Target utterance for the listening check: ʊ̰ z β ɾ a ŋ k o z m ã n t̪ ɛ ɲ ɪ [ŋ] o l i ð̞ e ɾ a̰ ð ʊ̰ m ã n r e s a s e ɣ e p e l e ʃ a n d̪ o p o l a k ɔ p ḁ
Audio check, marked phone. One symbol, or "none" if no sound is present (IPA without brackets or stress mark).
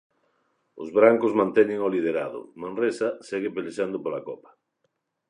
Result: ŋ